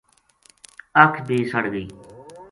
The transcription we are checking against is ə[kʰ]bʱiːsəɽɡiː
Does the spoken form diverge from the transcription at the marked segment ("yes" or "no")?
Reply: no